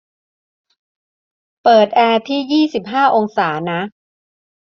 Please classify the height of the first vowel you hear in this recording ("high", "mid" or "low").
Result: mid